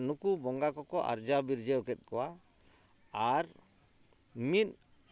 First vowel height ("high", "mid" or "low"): high